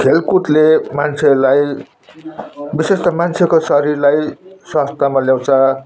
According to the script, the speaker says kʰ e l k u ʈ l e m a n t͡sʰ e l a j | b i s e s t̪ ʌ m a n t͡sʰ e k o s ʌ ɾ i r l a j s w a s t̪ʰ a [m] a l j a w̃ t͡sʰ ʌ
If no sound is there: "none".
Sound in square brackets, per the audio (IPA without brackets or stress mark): m